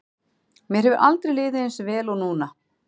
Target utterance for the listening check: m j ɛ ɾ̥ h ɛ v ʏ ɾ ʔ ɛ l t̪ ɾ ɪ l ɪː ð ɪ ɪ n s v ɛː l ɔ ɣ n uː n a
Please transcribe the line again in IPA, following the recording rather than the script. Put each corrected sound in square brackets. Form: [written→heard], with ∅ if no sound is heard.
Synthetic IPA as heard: m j ɛ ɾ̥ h ɛ v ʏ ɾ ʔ [ɛ→a] l t̪ ɾ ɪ l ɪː ð ɪ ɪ n s v ɛː l ɔ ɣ n uː n a

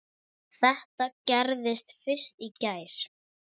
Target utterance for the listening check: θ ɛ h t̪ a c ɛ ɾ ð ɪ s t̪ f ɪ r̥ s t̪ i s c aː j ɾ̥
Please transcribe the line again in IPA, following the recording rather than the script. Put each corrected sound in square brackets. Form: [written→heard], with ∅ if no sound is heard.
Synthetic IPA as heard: θ ɛ h t̪ a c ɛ ɾ ð ɪ s t̪ f ɪ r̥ s t̪ i [s→∅] c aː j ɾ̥

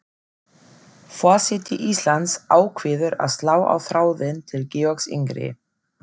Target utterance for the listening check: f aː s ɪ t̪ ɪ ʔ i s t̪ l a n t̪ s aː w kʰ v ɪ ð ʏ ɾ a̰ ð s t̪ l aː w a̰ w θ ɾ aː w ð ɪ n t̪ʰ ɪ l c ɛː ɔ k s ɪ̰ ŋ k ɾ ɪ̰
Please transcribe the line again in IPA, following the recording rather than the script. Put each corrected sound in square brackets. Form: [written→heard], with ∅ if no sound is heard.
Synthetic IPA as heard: f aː s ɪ t̪ ɪ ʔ i s t̪ l a n t̪ s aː w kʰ v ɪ ð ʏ ɾ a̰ ð s t̪ l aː w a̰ w θ ɾ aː w ð ɪ n t̪ʰ ɪ l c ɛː ɔ k s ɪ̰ ŋ k ɾ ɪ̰

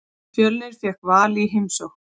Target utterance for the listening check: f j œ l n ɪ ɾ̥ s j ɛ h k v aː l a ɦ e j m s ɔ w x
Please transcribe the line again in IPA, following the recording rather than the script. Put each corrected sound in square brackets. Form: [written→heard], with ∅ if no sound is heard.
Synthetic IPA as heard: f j œ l n ɪ ɾ̥ [s→f] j ɛ h k v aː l [a→i] ɦ e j m s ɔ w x

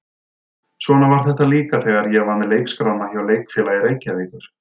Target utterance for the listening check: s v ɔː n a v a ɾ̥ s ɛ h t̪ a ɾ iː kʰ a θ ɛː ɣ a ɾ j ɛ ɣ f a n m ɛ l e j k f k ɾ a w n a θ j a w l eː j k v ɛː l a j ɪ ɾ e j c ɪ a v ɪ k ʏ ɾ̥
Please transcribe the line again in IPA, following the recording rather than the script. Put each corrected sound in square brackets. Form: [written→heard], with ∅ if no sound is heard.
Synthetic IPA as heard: s v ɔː n a v a ɾ̥ [s→θ] ɛ h t̪ a [ɾ→l] iː [kʰ→k] a θ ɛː ɣ a ɾ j ɛ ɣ [f→v] a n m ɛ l e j k [f→s] k ɾ a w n a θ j a w l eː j k [v→f] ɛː l a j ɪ ɾ e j c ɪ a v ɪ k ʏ ɾ̥

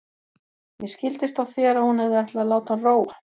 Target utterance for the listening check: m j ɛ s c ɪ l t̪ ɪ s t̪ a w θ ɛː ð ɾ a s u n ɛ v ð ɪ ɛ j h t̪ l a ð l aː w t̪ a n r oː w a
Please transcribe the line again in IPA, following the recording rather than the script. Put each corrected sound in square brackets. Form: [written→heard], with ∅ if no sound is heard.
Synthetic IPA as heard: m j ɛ s c ɪ l t̪ ɪ s t̪ a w θ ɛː [ð→∅] ɾ a [s→h] u n ɛ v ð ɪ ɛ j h t̪ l a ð l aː w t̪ a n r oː w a

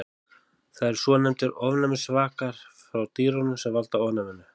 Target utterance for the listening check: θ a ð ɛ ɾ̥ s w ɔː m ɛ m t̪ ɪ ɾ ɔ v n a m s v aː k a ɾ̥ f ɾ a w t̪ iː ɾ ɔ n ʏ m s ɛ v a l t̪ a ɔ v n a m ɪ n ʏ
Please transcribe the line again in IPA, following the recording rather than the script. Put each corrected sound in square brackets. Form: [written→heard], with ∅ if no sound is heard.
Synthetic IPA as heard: θ a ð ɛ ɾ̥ s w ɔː [m→n] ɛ m t̪ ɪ ɾ ɔ v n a m s v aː k a ɾ̥ f ɾ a w t̪ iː ɾ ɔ n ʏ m s ɛ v a l t̪ a ɔ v n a m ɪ n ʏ

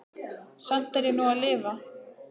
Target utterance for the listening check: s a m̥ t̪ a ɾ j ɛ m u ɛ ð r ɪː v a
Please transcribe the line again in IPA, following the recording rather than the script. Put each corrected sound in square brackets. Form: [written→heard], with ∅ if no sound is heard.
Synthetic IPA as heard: s a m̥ t̪ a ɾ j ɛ [m→n] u [ɛ→a] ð [r→l] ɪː v a

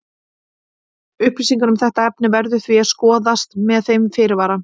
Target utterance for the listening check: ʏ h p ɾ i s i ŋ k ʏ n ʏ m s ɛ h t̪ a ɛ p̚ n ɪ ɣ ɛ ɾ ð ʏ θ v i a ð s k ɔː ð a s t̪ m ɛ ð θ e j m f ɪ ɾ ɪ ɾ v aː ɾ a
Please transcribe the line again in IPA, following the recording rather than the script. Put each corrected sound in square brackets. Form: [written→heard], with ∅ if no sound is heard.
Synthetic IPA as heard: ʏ h p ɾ i s i ŋ k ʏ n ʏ m [s→θ] ɛ h t̪ a ɛ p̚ n ɪ [ɣ→v] ɛ ɾ ð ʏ θ v i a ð s k ɔː ð a s t̪ m ɛ ð θ e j m f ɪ ɾ ɪ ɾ v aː ɾ a

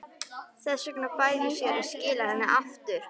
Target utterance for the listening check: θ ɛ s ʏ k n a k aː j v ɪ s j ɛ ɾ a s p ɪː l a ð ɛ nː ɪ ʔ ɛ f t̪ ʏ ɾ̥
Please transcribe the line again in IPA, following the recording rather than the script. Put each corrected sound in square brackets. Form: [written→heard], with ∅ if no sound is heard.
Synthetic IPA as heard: θ ɛ s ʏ k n a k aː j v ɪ s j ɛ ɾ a s [p→c] ɪː l a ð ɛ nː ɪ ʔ [ɛ→a] f t̪ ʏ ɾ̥

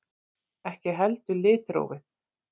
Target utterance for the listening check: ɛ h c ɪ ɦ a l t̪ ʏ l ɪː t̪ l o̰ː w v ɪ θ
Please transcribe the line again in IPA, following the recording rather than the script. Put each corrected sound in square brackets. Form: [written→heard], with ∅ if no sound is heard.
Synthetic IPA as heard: ɛ h c ɪ ɦ [a→ɛ] l t̪ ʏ l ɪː t̪ [l→ɾ] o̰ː w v ɪ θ

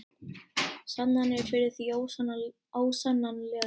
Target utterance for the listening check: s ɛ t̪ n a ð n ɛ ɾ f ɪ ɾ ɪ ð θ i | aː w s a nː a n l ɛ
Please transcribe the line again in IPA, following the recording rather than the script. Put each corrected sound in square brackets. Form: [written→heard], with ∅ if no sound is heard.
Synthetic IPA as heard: s [ɛ→a] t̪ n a [ð→∅] n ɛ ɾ f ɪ ɾ ɪ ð θ i | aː w s a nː a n l ɛ

